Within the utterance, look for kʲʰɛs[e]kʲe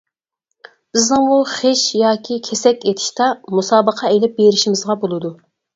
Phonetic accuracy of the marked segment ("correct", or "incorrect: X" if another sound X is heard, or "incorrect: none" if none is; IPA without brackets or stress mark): incorrect: ɛ